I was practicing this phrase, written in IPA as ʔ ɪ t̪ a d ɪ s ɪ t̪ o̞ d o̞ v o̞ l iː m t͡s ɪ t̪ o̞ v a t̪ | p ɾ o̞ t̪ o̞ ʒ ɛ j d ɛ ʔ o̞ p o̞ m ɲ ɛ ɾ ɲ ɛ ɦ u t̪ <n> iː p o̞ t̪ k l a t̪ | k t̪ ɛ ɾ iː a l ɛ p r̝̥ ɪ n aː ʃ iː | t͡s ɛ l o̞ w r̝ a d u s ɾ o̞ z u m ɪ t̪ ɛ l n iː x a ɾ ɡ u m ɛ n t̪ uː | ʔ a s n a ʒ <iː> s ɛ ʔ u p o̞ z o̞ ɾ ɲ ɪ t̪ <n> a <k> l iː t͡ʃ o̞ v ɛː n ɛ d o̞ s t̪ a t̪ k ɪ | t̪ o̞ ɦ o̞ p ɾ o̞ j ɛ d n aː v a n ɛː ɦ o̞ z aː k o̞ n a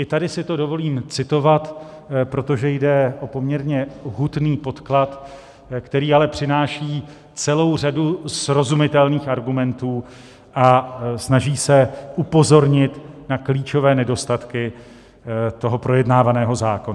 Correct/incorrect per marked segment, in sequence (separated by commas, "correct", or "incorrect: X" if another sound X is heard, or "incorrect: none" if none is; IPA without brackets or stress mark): correct, correct, correct, correct